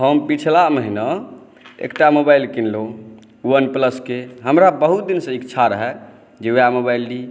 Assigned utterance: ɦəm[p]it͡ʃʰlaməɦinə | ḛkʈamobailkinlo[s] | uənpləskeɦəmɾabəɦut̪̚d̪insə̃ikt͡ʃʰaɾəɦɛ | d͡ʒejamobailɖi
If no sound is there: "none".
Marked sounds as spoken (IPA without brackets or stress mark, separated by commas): p, none